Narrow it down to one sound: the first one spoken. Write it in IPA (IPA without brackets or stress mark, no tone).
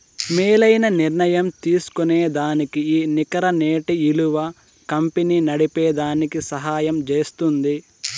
m